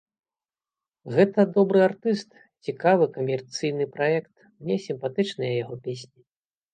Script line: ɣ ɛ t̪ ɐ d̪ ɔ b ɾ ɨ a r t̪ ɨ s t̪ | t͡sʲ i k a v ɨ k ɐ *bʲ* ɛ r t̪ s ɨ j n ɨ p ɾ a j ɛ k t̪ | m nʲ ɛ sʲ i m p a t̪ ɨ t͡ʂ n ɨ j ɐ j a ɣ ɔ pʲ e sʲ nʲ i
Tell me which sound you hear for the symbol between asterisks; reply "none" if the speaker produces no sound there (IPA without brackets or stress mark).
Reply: mʲ